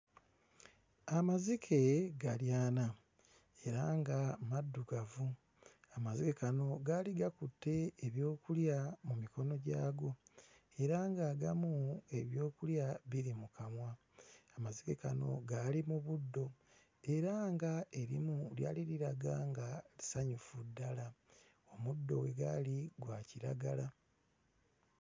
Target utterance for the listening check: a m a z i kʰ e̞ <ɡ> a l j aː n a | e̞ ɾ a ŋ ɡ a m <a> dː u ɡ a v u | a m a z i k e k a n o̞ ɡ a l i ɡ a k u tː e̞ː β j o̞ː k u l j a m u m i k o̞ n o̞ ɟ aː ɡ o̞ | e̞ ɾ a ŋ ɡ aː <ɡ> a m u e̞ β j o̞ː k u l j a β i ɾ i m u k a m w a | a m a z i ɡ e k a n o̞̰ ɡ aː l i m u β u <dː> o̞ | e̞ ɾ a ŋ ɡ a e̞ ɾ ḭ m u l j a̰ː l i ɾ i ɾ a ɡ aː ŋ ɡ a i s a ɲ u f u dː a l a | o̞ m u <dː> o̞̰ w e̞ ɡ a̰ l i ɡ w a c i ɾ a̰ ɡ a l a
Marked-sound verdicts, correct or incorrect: correct, correct, correct, correct, correct

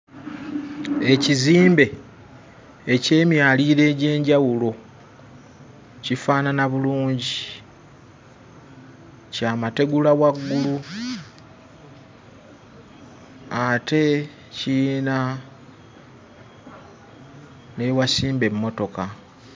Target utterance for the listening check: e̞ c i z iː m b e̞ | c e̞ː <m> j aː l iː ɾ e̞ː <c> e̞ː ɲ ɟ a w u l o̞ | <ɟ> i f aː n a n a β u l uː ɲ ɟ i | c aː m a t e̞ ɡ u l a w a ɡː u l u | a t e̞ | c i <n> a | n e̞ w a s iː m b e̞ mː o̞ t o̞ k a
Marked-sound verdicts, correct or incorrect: correct, incorrect: ɟ, incorrect: c, correct

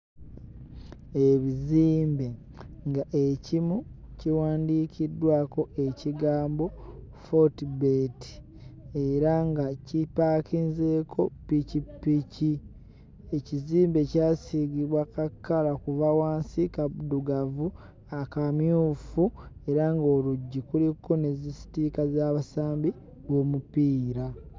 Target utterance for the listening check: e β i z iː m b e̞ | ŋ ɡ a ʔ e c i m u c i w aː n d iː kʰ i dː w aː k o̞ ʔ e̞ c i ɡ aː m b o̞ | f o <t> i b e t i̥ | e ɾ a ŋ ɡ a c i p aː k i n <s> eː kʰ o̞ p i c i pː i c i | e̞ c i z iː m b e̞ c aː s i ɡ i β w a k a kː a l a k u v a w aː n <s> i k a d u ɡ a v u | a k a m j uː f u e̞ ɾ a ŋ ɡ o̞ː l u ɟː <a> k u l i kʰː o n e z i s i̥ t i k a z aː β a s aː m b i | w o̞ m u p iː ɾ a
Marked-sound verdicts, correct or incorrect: correct, incorrect: z, correct, incorrect: i

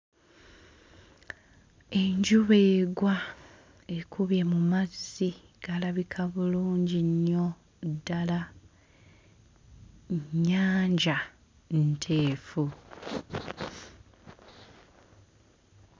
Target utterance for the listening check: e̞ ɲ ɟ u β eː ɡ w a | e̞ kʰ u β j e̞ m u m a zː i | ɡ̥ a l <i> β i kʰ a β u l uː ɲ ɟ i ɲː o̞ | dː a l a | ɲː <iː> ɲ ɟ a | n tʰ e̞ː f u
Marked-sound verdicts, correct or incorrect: incorrect: a, incorrect: aː

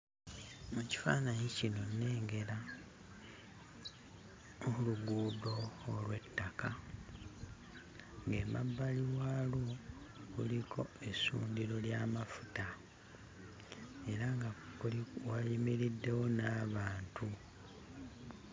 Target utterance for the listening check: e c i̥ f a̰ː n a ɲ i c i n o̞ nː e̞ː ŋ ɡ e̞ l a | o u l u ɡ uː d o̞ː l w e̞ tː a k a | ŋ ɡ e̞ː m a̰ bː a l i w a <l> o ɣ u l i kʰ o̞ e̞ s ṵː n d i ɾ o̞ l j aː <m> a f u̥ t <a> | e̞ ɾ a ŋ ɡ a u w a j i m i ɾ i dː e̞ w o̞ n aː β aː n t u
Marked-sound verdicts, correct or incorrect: correct, correct, correct

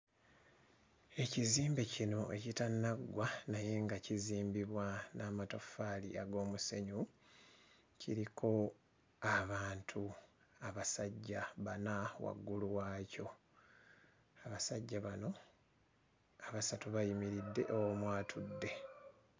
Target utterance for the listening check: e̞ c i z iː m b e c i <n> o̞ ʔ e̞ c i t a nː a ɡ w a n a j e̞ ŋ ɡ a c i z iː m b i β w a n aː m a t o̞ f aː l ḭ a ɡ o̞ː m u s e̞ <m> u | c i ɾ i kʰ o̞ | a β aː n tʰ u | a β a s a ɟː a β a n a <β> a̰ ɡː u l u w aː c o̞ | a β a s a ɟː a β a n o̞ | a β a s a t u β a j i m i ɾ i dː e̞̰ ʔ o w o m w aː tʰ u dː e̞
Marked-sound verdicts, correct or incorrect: correct, incorrect: ɲ, incorrect: w

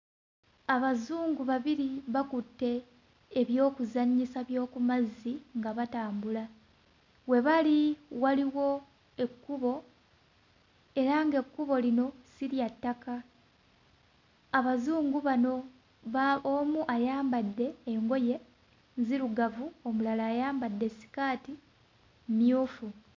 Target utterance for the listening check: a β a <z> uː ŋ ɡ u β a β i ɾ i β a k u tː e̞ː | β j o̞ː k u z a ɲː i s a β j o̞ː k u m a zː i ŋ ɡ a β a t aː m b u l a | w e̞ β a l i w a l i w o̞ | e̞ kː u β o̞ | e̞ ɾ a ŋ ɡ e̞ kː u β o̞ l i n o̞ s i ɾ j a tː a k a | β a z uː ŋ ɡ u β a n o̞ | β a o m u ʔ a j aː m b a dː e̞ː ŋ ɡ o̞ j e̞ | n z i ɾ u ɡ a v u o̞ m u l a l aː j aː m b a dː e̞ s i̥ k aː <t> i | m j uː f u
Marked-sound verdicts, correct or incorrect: correct, correct

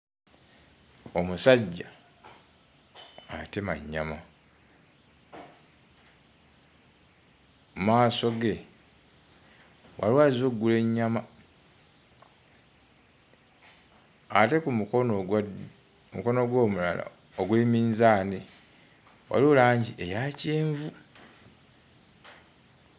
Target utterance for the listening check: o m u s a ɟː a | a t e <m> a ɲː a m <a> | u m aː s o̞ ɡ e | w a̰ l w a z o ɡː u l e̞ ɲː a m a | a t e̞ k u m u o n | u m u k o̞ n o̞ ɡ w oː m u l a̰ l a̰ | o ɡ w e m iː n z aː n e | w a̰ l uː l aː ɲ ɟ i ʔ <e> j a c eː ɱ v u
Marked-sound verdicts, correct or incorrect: correct, correct, correct

